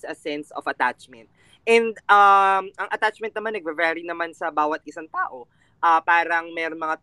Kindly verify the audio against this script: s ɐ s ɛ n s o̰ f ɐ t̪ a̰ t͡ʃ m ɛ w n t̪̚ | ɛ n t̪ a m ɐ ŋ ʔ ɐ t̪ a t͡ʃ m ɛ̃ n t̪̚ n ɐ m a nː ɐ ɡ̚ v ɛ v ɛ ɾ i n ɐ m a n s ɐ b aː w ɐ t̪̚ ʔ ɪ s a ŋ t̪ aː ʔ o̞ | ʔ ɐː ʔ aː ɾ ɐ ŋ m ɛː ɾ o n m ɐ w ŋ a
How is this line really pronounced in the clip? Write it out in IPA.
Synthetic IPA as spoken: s ɐ s ɛ n s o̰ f ɐ t̪ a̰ t͡ʃ m ɛ n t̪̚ | ɛ n d̪ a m ɐ ŋ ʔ ɐ t̪ a t͡ʃ m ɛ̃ n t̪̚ n ɐ m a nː ɐ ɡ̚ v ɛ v ɛ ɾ i n ɐ m a n s ɐ b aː w ɐ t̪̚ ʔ ɪ s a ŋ t̪ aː ʔ o̞ | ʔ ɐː p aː ɾ ɐ ŋ m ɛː ɾ o n m ɐ ŋ a